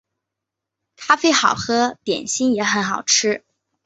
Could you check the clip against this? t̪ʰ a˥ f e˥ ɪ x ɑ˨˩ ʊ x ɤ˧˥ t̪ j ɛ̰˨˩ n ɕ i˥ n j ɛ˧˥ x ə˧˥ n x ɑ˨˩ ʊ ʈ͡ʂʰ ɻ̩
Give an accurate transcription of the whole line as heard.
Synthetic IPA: t̪ʰ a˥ f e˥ ɪ x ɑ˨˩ ʊ x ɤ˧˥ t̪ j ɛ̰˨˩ n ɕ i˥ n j ɛ˧˥ x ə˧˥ n x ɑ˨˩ ʊ ʈ͡ʂʰ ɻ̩

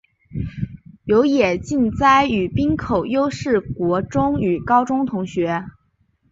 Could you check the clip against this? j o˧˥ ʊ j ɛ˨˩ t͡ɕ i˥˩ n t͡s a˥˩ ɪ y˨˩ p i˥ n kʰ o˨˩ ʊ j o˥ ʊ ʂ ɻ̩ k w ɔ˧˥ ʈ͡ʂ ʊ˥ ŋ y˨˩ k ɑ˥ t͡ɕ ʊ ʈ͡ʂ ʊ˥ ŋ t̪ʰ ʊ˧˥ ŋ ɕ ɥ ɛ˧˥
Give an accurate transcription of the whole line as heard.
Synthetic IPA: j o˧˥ ʊ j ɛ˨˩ t͡ɕ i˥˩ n t͡s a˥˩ ɪ y˨˩ p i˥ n kʰ o˨˩ ʊ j o˥ ʊ ʂ ɻ̩ k w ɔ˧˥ ʈ͡ʂ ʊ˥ ŋ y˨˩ k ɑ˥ ʊ ʈ͡ʂ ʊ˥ ŋ t̪ʰ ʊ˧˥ ŋ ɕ ɥ ɛ˧˥

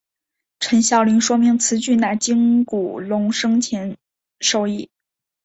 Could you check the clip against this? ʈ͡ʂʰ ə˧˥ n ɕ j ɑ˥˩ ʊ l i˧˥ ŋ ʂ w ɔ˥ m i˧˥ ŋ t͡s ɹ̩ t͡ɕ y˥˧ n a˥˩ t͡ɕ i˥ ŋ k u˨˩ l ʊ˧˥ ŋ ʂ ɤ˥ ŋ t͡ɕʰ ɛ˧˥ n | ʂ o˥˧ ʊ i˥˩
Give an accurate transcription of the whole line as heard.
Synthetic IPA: ʈ͡ʂʰ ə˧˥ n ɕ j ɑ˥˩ ʊ l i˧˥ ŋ ʂ w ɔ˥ m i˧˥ ŋ t͡sʰ ɹ̩ t͡ɕ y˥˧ n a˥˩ t͡ɕ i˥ ŋ k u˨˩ l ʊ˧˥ ŋ ʂ ɤ˥ ŋ t͡ɕʰ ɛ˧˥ n | ʂ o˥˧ ʊ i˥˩

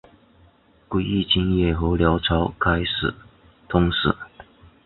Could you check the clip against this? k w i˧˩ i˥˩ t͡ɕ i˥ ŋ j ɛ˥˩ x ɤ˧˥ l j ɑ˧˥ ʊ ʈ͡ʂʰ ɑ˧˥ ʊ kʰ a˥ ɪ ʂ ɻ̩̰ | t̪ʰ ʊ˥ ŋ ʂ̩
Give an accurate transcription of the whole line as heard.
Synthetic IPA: k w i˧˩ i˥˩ t͡ɕ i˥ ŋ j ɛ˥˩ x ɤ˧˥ l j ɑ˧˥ ʊ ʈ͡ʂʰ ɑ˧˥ ʊ kʰ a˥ ɪ ʂ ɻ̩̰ | t̪ʰ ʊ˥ ŋ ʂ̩

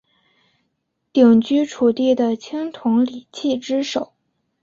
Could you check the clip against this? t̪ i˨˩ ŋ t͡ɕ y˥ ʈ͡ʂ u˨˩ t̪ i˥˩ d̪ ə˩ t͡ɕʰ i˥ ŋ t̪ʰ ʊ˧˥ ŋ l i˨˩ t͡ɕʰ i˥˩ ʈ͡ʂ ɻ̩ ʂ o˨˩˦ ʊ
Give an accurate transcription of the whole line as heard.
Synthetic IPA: t̪ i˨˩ ŋ t͡ɕ y˥ ʈ͡ʂʰ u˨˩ t̪ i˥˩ d̪ ə˩ t͡ɕʰ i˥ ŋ t̪ʰ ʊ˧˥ ŋ l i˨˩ t͡ɕʰ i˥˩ ʈ͡ʂ ɻ̩ ʂ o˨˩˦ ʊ

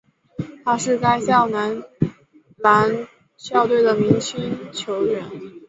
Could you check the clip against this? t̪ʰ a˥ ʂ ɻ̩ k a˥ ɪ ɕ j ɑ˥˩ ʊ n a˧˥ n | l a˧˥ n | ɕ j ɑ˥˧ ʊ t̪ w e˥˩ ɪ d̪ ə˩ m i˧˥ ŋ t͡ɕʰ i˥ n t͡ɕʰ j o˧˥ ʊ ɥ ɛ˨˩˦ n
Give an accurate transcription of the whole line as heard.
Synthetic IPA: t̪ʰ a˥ ʂ ɻ̩ k a˥ ɪ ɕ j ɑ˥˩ ʊ n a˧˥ n | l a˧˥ n | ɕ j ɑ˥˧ ʊ t̪ w e˥˩ ɪ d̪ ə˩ m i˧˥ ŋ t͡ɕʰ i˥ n t͡ɕʰ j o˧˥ ʊ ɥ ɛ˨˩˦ n

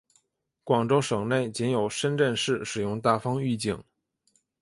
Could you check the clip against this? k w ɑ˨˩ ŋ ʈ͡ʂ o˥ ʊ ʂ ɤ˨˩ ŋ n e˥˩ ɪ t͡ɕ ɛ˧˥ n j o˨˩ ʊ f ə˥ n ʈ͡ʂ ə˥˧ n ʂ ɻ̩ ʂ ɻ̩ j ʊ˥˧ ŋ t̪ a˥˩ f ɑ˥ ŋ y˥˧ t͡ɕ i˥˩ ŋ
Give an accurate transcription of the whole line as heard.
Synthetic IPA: k w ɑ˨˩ ŋ ʈ͡ʂ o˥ ʊ ʂ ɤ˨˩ ŋ n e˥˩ ɪ t͡ɕ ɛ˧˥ n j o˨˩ ʊ ʂ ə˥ n ʈ͡ʂ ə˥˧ n ʂ ɻ̩ ʂ ɻ̩ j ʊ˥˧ ŋ t̪ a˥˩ f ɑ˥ ŋ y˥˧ t͡ɕ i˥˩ ŋ

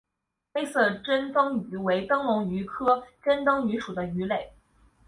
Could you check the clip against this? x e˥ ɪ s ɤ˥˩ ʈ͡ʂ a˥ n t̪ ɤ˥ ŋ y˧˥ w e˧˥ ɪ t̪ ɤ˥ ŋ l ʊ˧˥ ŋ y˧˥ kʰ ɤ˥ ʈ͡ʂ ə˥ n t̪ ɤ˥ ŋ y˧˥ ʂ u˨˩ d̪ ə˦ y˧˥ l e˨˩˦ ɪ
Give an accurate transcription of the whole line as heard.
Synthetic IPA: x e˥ ɪ s ɤ˥˩ ʈ͡ʂ ə˥ n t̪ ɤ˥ ŋ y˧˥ w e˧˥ ɪ t̪ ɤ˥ ŋ l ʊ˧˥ ŋ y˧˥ kʰ ɤ˥ ʈ͡ʂ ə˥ n t̪ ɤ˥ ŋ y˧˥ ʂ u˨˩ d̪ ə˦ y˧˥ l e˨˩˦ ɪ

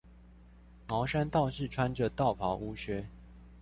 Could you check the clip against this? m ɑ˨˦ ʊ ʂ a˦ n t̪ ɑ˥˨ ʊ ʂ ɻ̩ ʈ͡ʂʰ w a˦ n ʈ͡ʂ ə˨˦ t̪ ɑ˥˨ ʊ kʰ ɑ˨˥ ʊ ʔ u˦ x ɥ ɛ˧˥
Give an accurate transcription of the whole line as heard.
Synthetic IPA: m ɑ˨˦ ʊ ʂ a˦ n t̪ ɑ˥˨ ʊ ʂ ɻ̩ ʈ͡ʂʰ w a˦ n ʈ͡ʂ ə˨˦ t̪ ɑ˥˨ ʊ pʰ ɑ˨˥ ʊ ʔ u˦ ɕ ɥ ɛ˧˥

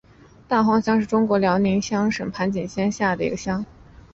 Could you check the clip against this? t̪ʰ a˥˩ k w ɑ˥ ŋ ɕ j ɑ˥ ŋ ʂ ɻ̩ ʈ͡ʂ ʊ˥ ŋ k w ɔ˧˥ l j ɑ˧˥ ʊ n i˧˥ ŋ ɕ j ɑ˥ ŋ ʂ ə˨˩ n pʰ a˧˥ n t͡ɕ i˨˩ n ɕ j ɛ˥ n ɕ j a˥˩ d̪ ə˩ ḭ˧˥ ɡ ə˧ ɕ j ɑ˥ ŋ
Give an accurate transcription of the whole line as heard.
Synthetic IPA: t̪ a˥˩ x w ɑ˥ ŋ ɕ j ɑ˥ ŋ ʂ ɻ̩ ʈ͡ʂ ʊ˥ ŋ k w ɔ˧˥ l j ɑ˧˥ ʊ n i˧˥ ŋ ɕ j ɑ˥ ŋ ʂ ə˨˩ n pʰ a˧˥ n t͡ɕ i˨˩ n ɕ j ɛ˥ n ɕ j a˥˩ d̪ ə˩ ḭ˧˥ ɡ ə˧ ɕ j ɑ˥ ŋ

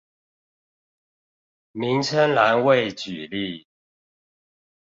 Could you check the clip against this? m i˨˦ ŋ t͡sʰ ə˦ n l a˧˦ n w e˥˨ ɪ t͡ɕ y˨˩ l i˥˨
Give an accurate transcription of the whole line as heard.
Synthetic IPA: m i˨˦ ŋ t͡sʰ ə˦ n l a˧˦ n w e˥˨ ɪ t͡ɕ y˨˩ l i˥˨

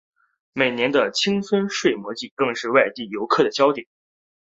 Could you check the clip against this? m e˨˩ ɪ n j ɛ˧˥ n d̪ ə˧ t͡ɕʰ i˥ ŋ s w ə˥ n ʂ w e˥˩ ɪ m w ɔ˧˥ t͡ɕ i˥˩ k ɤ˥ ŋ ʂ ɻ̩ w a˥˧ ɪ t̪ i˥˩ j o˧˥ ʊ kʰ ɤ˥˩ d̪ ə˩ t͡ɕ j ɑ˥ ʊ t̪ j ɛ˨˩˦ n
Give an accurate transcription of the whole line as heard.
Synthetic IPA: m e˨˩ ɪ n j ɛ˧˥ n d̪ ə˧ t͡ɕʰ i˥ ŋ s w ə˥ n ʂ w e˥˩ ɪ m w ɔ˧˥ t͡ɕ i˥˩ k ɤ˥˧ ŋ ʂ ɻ̩ w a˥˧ ɪ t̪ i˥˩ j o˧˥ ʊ kʰ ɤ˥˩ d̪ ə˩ t͡ɕ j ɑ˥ ʊ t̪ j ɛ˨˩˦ n

